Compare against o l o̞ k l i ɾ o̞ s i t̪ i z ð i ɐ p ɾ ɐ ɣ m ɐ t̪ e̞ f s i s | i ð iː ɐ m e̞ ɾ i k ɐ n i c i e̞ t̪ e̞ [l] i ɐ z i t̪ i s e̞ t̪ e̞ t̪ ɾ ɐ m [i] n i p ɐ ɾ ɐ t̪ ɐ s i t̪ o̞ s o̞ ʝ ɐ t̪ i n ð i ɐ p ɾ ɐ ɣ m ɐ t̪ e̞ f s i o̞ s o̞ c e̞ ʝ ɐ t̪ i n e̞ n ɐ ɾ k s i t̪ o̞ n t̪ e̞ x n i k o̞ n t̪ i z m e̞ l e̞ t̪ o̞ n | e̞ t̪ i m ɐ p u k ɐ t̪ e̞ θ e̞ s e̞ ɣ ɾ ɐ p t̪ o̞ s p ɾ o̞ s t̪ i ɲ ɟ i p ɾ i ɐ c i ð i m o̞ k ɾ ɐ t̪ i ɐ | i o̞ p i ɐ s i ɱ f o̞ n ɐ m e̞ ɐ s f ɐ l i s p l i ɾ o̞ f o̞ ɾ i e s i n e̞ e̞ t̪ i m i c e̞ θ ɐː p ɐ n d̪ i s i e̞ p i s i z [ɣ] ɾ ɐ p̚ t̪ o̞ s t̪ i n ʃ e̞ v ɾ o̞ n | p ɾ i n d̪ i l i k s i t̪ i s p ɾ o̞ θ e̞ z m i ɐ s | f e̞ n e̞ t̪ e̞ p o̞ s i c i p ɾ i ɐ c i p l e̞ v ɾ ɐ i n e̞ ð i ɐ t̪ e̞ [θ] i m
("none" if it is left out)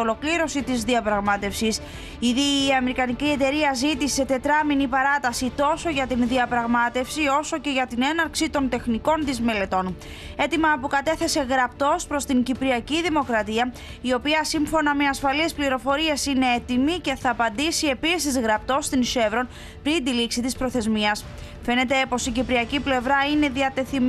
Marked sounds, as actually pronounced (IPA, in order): ɾ, i, ɣ, θ

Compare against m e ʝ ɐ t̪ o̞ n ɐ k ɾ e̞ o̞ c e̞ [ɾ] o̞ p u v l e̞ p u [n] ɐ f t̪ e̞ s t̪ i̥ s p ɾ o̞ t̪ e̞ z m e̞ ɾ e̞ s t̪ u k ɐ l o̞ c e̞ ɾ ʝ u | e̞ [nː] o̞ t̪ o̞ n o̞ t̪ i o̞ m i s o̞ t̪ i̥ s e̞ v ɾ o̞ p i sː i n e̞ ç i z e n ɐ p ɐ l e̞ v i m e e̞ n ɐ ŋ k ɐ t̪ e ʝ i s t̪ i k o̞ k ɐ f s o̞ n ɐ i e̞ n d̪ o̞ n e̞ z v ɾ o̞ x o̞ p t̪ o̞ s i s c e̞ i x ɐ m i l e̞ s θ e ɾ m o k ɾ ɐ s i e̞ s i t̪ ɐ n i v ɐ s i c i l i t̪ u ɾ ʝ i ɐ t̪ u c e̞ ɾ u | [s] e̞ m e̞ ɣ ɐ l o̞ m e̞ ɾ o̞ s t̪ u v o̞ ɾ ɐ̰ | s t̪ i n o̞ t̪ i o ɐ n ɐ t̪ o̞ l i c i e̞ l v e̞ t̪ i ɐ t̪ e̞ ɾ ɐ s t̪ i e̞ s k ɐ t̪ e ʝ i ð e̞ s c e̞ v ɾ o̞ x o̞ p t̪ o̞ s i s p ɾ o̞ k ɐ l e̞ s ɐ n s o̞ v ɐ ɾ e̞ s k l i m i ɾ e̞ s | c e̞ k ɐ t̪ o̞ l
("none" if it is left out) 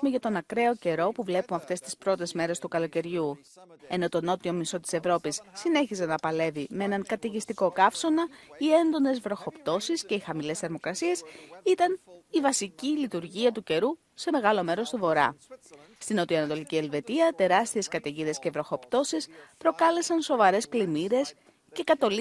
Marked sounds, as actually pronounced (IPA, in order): ɾ, m, n, s

